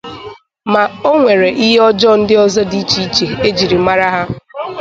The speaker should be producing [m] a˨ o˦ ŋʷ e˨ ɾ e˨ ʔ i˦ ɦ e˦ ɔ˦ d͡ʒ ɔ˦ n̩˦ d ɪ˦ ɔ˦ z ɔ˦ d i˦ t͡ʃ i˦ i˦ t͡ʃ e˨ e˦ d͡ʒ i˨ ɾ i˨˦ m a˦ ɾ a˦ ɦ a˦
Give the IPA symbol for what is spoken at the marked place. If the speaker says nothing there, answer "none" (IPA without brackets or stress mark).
m